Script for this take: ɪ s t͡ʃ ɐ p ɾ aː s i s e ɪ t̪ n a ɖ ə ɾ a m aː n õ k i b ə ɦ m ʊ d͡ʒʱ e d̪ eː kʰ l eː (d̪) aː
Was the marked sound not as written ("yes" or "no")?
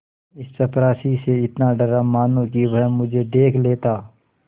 yes